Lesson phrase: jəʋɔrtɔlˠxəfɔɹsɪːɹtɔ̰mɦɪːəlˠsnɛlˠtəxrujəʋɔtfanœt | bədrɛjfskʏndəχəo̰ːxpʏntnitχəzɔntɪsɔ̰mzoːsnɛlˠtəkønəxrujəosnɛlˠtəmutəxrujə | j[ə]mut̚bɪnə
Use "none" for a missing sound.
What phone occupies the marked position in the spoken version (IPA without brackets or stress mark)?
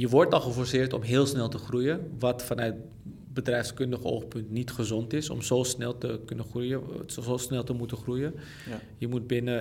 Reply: ə